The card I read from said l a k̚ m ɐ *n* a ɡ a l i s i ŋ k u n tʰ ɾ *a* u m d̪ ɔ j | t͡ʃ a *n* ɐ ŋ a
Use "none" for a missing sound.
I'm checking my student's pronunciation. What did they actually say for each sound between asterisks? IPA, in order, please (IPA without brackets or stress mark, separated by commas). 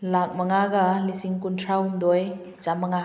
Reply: ŋ, a, m